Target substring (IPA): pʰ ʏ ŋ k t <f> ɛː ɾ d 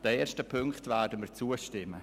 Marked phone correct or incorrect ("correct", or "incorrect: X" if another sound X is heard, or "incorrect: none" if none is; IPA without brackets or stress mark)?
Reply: incorrect: v